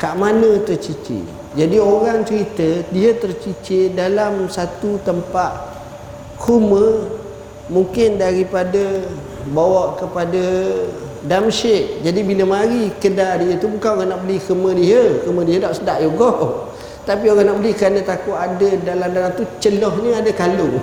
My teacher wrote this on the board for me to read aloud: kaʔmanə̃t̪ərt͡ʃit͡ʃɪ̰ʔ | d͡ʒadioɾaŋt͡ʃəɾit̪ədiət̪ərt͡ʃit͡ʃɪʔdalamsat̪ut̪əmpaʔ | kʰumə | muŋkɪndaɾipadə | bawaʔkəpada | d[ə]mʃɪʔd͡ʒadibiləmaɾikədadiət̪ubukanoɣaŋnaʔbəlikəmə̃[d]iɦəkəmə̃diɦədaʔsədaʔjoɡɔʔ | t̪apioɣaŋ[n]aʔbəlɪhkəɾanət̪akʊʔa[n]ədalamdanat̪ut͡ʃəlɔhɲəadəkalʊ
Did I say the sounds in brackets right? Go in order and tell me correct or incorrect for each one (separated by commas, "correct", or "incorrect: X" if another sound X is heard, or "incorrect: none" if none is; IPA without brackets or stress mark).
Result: incorrect: a, correct, correct, incorrect: d